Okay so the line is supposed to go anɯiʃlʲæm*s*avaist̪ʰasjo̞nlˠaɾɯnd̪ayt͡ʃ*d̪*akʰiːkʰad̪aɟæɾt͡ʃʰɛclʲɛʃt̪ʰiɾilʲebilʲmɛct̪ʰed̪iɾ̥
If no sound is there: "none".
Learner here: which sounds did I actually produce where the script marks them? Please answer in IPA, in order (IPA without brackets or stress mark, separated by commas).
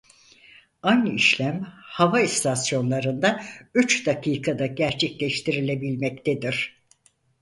h, d̪